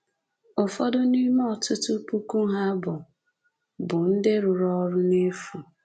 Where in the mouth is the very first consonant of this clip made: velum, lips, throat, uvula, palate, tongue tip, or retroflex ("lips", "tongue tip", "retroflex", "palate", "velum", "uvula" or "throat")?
lips